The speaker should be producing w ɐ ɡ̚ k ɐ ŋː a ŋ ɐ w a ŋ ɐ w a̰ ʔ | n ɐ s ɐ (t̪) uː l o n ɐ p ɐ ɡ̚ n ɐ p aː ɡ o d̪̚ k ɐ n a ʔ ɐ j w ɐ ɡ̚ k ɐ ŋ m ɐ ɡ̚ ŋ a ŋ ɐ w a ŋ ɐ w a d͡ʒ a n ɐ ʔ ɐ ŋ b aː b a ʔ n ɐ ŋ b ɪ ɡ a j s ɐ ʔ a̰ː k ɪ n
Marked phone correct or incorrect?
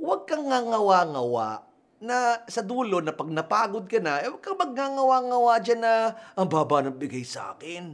incorrect